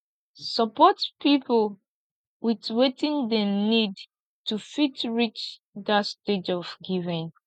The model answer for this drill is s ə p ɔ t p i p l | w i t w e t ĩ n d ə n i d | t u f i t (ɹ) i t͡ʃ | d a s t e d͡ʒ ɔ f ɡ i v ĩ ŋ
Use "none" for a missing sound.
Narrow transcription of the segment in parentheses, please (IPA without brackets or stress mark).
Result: ɹ